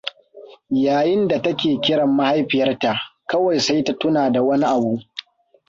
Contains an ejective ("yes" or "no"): no